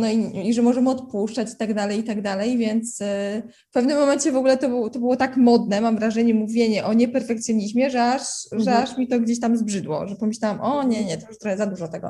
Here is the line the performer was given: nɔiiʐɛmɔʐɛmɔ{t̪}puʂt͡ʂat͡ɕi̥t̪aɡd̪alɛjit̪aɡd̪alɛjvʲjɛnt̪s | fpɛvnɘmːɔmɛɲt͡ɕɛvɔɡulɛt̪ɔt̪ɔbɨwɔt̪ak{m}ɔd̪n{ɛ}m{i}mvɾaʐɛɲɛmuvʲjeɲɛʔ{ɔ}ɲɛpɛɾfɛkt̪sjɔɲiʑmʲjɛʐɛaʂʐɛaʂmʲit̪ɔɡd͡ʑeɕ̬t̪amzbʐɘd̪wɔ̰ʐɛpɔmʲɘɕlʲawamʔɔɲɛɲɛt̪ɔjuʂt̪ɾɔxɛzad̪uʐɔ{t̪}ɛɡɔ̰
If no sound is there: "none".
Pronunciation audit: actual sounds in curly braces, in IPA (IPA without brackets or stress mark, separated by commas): t̪, m, ɛ, a, ɔ, t̪